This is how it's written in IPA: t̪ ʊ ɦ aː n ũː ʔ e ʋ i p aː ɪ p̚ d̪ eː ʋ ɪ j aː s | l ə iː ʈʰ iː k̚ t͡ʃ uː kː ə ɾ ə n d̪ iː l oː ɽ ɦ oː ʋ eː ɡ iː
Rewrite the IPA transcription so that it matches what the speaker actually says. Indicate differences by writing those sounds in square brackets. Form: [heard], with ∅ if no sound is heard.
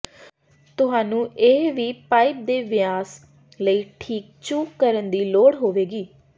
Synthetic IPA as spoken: t̪ ʊ ɦ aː n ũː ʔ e ʋ [iː] p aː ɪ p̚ d̪ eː ʋ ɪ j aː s | l ə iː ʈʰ iː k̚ t͡ʃ uː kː ə ɾ ə n d̪ iː l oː ɽ ɦ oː ʋ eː ɡ iː